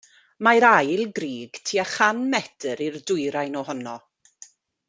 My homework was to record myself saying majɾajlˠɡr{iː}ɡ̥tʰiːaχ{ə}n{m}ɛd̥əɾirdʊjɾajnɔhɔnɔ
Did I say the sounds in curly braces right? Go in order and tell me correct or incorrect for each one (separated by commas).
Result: correct, incorrect, correct